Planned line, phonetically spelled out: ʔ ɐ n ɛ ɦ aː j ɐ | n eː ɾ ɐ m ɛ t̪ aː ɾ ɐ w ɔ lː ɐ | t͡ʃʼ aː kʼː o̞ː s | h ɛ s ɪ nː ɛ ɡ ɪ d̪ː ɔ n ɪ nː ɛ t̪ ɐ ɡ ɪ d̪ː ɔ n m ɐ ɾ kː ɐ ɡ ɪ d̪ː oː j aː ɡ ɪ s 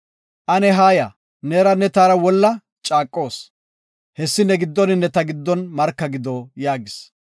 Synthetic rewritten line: ʔ ɐ n ɛ ɦ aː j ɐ | n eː ɾ ɐ n ɛ t̪ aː ɾ ɐ w ɔ lː ɐ | t͡ʃʼ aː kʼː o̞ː s | h ɛ sː ɪ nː ɛ ɡ ɪ d̪ː ɔ n ɪ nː ɛ t̪ ɐ ɡ ɪ d̪ː ɔ n m ɐ ɾ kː ɐ ɡ ɪ d̪ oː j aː ɡ ɪ s